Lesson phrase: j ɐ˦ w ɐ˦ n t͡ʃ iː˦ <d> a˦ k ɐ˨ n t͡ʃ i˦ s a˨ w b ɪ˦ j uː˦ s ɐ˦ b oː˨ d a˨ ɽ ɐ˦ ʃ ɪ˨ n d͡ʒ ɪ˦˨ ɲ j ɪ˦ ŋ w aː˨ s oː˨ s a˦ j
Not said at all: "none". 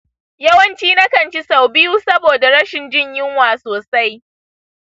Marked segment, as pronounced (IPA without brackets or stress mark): n